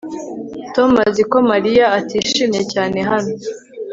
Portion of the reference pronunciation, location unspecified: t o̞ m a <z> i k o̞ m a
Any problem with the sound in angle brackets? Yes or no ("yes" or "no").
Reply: no